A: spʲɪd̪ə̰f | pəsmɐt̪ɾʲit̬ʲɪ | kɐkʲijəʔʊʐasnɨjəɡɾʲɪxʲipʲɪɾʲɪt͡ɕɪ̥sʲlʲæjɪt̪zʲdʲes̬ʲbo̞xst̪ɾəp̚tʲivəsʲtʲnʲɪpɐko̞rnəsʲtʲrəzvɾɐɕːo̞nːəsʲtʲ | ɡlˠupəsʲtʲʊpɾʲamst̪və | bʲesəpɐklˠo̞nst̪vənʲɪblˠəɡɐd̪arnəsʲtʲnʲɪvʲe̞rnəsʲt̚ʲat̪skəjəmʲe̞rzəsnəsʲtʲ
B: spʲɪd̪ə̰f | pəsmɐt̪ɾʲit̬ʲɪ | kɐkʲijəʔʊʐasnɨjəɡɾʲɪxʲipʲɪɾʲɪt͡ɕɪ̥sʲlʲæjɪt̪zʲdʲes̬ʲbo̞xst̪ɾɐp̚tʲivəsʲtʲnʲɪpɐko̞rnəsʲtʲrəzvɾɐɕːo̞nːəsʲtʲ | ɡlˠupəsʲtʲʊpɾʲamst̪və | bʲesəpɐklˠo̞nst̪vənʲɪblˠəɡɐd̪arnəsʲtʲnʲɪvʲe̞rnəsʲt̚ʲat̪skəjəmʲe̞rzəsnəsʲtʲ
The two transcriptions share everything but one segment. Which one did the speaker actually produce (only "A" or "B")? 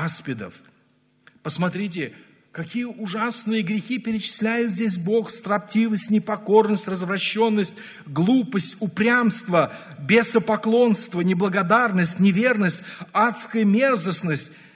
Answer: B